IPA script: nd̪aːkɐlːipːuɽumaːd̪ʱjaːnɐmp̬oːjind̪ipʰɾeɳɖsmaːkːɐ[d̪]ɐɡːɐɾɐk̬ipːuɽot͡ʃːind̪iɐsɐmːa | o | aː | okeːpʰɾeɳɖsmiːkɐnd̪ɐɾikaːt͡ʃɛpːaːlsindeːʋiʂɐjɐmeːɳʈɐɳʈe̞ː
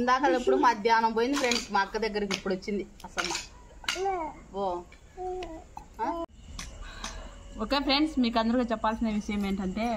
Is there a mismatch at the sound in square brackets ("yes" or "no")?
no